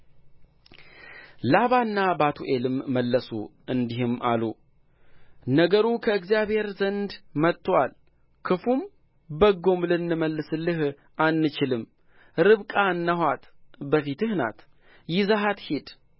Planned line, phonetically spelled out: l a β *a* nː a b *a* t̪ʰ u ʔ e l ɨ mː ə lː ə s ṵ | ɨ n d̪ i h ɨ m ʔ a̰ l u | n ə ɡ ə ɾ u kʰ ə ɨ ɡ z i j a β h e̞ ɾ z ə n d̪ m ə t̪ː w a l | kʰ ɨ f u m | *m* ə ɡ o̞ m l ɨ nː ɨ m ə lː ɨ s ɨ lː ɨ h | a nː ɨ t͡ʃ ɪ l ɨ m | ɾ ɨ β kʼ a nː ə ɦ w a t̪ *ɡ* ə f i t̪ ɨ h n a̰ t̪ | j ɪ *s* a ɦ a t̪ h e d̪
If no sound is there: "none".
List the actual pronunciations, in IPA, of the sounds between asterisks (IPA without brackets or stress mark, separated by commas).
a, a, b, b, z